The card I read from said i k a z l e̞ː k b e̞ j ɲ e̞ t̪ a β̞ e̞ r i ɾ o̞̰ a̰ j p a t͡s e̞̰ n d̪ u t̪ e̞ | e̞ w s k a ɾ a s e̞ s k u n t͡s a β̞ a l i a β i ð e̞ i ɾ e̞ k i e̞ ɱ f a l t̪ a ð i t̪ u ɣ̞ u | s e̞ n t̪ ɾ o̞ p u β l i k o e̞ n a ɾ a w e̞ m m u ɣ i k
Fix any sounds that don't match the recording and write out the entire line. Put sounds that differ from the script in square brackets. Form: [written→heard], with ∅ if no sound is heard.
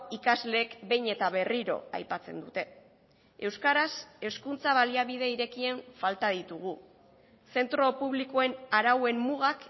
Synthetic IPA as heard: i k a z l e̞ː k b e̞ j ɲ e̞ t̪ a β̞ e̞ r i ɾ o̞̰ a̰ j p a t͡s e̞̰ n d̪ u t̪ e̞ | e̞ w s k a ɾ a s e̞ s k u n t͡s a β̞ a l i a β i ð e̞ i ɾ e̞ k i e̞ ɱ f a l t̪ a ð i t̪ u ɣ̞ u | s e̞ n t̪ ɾ o̞ p u β l i k o e̞ n a ɾ a w e̞ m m u ɣ [i→a] k